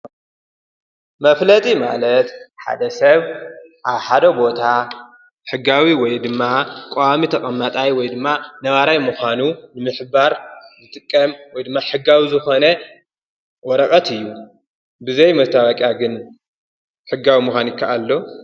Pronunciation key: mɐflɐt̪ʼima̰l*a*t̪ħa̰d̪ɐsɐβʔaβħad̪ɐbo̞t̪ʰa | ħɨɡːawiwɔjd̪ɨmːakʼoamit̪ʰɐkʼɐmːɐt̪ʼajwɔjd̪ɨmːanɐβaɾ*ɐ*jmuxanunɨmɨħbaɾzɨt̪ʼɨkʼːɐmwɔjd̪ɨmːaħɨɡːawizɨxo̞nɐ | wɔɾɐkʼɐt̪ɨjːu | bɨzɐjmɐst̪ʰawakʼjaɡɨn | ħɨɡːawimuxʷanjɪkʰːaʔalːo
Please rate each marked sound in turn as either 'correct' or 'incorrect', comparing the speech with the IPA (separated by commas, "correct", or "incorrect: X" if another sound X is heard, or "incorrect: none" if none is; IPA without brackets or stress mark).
incorrect: ɐ, incorrect: a